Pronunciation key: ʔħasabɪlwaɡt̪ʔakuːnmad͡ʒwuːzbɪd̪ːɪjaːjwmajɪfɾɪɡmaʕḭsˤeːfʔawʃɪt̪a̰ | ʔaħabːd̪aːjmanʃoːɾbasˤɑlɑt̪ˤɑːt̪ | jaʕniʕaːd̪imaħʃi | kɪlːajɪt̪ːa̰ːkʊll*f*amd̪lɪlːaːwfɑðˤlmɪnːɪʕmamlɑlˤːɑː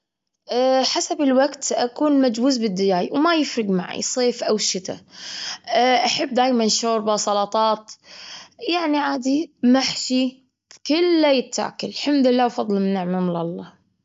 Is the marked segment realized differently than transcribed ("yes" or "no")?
yes